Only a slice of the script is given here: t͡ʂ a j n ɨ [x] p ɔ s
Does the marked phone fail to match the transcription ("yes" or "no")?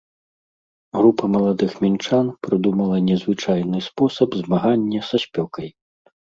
yes